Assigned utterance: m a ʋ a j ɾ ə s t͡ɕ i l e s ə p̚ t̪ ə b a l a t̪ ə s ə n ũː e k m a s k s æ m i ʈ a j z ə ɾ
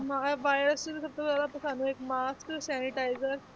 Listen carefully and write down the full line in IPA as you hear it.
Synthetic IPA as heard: m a ʋ a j ɾ ə s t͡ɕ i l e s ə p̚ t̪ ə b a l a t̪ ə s a n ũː e k m a s k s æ n i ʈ a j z ə ɾ